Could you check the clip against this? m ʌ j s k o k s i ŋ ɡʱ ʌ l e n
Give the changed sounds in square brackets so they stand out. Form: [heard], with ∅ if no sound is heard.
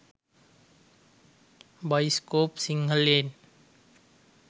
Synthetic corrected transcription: [b] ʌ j s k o [p] s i ŋ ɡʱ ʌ l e n